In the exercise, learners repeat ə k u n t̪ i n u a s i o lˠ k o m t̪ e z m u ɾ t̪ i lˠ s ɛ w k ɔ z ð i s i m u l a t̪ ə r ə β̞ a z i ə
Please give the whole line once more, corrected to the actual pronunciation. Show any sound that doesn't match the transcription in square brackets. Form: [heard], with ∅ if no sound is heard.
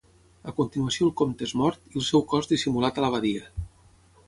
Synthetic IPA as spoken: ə k u n t̪ i n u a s i o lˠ k o m t̪ e z m [ɔ] ɾ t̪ i lˠ s ɛ w k ɔ z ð i s i m u l a t̪ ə [l] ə β̞ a [ð] i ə